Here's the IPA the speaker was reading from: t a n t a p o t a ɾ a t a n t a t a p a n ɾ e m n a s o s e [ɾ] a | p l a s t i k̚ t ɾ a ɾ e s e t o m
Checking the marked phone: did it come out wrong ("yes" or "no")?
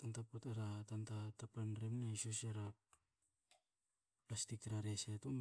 no